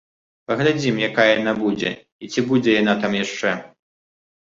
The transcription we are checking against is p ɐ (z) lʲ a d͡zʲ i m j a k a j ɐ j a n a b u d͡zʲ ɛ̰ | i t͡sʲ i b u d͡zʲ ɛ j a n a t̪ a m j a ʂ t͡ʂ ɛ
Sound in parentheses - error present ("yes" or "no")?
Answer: yes